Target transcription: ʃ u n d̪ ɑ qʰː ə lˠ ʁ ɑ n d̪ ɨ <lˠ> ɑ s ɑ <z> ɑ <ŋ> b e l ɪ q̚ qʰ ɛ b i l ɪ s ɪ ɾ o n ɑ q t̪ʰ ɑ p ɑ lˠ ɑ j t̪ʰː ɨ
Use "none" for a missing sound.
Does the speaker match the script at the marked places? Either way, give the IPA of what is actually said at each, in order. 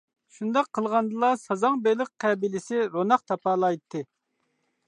lˠ, z, ŋ

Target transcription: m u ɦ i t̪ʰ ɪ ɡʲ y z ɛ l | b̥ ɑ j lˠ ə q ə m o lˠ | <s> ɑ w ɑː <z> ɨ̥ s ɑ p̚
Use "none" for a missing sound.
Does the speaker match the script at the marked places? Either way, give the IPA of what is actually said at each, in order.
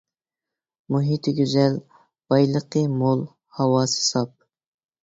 h, s

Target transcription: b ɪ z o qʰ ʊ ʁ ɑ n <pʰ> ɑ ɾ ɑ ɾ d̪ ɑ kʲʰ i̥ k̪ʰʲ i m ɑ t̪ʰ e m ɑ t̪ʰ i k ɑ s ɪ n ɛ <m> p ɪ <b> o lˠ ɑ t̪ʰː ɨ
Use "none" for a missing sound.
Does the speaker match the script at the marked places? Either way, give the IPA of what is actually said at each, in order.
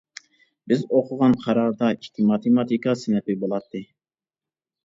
qʰ, none, b

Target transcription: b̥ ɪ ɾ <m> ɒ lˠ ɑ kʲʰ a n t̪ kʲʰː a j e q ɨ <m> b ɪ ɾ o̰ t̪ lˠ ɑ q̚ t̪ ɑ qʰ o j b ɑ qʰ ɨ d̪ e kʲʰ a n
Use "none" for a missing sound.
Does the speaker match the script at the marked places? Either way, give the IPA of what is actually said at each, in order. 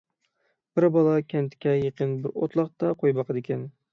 b, n

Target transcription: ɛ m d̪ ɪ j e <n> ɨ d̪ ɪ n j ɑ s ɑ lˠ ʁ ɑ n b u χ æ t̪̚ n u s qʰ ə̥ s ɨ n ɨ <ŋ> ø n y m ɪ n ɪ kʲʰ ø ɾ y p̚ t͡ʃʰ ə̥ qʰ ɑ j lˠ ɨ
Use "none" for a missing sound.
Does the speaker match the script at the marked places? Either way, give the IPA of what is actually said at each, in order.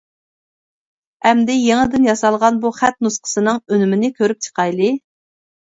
ŋ, ŋ

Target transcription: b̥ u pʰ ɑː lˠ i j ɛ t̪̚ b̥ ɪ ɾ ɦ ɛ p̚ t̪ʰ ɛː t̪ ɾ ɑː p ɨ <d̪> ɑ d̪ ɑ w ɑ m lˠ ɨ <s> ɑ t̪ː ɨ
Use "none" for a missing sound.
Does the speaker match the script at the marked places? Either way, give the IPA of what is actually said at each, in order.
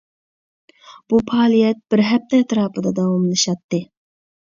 d̪, ʃ

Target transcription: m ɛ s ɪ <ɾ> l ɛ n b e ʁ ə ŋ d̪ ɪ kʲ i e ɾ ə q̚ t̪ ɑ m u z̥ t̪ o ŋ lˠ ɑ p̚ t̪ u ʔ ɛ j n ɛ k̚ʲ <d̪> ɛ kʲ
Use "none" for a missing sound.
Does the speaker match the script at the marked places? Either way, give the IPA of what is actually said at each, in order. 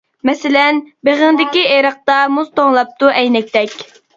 none, t̪

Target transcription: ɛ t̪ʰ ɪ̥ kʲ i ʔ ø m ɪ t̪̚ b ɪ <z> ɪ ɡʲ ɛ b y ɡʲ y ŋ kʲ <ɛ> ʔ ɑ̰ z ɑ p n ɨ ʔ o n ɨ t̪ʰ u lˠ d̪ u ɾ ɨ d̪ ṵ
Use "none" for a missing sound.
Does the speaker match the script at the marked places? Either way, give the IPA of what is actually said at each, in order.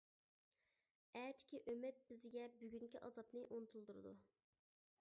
z, i

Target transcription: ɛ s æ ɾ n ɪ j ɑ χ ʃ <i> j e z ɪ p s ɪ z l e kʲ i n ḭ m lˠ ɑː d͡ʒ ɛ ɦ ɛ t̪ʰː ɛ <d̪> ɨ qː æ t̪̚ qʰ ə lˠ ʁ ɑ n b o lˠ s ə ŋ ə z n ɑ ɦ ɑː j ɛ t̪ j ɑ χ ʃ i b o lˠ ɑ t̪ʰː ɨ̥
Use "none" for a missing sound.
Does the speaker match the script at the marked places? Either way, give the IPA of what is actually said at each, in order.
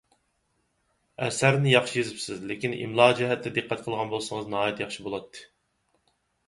i, d̪

